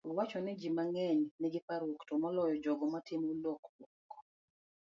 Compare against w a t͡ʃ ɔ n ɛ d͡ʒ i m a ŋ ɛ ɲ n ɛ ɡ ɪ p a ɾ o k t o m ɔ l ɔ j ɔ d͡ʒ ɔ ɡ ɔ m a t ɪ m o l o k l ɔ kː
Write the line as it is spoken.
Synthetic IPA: w a t͡ʃ ɔ n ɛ d͡ʒ i m a ŋ ɛ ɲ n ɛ ɡ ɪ p a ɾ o k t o m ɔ l ɔ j ɔ d͡ʒ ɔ ɡ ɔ m a t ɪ m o l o k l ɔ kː